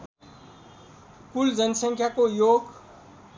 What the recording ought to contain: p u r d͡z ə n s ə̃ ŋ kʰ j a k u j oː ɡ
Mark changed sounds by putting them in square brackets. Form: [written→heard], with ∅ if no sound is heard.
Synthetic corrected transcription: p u [r→l] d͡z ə n s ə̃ ŋ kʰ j a k [u→o] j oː ɡ